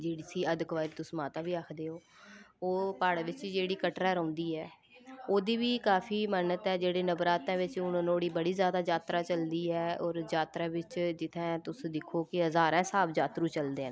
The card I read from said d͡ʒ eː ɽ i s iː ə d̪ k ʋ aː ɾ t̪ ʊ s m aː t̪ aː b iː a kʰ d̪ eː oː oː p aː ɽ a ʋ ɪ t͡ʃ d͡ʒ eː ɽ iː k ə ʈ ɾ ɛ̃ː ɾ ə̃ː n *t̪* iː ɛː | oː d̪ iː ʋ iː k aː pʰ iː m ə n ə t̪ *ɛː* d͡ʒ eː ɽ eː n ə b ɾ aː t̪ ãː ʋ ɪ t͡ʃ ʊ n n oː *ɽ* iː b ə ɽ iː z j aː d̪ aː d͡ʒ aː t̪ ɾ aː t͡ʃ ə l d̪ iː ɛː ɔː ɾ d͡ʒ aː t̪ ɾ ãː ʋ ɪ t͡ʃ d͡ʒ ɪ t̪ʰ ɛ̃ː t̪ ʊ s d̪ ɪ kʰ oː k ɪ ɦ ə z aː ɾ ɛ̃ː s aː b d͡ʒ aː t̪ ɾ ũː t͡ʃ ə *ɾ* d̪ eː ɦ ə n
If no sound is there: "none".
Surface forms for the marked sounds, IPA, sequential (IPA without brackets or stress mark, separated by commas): d̪, ɛː, ɽ, l